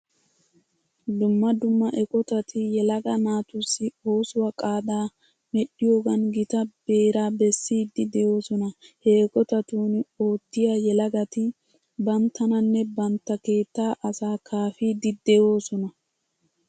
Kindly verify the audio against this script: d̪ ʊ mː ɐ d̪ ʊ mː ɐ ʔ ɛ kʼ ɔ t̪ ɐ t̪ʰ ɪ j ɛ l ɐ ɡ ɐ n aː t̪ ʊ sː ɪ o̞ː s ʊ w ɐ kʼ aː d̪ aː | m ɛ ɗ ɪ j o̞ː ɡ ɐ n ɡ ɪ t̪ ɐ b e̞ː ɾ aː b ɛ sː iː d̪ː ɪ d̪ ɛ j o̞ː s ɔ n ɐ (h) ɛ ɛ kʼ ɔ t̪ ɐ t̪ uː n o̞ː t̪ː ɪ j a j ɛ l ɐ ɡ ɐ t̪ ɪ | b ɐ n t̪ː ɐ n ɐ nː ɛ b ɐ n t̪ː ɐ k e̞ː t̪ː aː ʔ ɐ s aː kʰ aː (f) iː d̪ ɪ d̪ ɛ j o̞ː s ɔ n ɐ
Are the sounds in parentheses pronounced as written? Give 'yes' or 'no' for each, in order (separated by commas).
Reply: yes, yes